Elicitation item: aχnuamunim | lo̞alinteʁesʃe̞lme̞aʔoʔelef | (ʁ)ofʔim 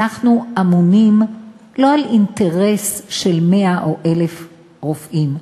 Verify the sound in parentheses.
correct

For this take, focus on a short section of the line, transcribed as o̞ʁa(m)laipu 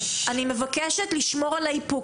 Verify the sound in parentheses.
incorrect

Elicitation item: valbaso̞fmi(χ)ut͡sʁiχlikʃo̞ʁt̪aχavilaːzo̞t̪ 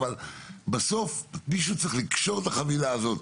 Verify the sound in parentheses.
incorrect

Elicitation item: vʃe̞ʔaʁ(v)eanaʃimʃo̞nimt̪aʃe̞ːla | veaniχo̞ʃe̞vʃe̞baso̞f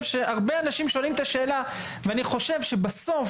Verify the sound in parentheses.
incorrect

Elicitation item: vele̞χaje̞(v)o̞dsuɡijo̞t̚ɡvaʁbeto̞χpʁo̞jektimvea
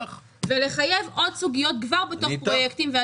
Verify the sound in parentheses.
correct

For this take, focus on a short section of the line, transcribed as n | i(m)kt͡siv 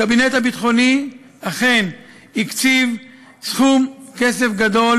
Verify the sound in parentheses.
incorrect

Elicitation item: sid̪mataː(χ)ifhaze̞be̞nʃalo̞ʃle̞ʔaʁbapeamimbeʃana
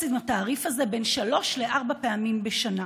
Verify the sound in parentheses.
incorrect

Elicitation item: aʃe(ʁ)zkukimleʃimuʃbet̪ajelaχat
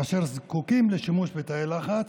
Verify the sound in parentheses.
correct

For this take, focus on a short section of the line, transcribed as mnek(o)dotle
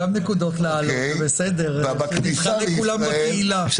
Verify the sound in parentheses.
incorrect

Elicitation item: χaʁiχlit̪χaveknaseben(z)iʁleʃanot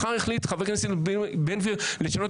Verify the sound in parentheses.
incorrect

